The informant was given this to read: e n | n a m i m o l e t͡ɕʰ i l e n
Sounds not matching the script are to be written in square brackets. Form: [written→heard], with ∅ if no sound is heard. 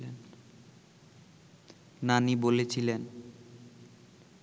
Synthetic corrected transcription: e n | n a [m→n] i [m→b] o l e t͡ɕʰ i l e n

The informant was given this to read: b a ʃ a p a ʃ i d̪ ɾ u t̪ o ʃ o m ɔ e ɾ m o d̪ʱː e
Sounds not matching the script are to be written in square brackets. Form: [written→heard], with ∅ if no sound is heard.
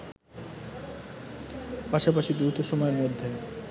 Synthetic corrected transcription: [b→p] a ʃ a p a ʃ i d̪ ɾ u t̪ o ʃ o m ɔ e ɾ m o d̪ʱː e

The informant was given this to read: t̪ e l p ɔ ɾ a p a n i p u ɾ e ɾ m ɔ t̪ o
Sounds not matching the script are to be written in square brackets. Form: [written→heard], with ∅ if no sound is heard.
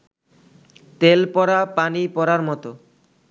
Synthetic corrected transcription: t̪ e l p ɔ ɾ a p a n i p [u→ɔ] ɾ [e→a] ɾ m ɔ t̪ o

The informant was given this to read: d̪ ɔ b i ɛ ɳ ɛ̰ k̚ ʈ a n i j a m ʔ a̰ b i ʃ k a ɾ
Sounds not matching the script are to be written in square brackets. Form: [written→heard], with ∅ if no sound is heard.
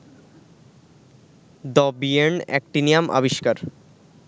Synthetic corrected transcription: d̪ ɔ b i [ɛ→e] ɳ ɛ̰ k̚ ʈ [a→i] n i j a m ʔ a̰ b i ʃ k a ɾ

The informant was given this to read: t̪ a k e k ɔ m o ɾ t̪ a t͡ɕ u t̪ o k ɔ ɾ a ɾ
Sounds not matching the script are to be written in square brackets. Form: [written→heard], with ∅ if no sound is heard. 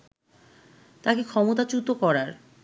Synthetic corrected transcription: t̪ a k e [k→kʰ] ɔ m o [ɾ→∅] t̪ a t͡ɕ u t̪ o k ɔ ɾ a ɾ

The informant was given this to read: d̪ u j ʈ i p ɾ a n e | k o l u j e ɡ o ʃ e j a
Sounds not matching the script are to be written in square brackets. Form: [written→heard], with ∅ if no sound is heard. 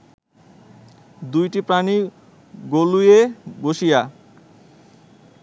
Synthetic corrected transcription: d̪ u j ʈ i p ɾ a n [e→i] | [k→ɡ] o l u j e ɡ o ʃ [e→i] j a

